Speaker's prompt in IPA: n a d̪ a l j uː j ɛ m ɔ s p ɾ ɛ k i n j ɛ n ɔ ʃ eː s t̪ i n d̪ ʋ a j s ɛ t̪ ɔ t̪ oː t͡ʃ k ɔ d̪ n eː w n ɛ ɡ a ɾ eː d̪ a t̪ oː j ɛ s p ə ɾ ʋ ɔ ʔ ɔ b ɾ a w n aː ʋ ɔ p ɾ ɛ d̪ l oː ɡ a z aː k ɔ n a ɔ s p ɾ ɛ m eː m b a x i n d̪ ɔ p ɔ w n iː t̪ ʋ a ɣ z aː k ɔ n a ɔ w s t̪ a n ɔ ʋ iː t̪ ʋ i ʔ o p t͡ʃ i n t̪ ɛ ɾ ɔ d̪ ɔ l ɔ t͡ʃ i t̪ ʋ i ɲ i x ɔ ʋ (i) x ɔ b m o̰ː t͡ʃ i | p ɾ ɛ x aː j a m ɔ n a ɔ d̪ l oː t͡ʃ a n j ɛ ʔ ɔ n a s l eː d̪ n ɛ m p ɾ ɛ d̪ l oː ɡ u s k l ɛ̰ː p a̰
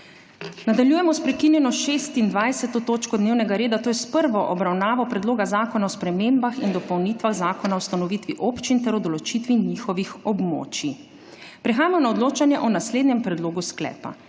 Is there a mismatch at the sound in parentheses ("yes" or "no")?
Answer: no